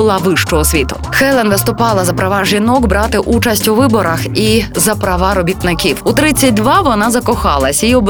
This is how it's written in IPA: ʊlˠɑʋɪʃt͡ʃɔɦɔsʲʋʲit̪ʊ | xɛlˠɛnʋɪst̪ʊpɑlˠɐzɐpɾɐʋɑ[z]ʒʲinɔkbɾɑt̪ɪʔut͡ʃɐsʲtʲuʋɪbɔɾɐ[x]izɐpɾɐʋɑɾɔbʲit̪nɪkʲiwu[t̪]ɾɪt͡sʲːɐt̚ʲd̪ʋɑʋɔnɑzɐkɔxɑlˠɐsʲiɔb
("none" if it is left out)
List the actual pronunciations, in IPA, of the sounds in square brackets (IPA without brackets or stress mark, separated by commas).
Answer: none, x, t̪